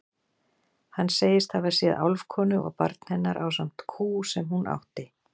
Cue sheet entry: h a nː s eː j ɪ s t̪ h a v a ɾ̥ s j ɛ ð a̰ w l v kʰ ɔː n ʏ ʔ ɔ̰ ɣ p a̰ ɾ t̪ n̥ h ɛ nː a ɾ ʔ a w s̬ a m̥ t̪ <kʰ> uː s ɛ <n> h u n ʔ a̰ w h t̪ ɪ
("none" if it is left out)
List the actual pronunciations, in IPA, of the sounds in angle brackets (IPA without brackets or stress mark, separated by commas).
kʰ, m